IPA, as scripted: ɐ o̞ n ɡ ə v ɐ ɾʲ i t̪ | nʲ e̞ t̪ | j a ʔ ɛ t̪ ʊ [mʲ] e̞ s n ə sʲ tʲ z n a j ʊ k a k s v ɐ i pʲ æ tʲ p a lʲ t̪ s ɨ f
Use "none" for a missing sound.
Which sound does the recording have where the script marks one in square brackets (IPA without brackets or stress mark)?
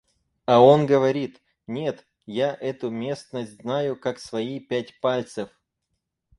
mʲ